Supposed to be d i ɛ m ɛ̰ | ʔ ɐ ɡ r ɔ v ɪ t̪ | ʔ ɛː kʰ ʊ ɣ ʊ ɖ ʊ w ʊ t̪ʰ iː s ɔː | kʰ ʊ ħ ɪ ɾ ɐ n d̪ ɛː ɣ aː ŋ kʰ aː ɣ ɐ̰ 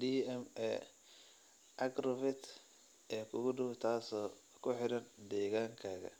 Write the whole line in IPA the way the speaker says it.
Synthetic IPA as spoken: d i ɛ m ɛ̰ | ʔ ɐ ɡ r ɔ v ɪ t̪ | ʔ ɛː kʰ ʊ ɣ ʊ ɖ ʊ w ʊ t̪ʰ aː s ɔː | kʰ ʊ ħ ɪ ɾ ɐ n d̪ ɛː ɣ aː ŋ kʰ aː ɣ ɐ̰